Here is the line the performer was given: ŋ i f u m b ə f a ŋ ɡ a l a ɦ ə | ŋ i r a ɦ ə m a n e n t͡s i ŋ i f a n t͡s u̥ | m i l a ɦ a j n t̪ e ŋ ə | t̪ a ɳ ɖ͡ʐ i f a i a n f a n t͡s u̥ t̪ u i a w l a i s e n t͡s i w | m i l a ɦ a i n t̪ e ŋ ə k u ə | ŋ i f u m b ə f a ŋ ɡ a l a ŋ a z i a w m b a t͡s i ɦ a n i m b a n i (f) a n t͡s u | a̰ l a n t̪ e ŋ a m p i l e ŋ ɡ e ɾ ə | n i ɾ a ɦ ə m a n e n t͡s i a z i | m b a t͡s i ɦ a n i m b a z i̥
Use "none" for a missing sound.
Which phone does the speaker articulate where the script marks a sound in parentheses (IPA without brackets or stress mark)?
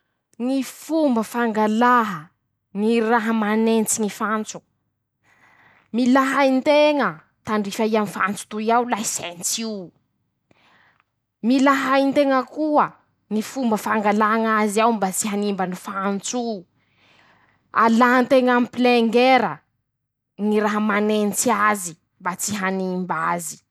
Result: f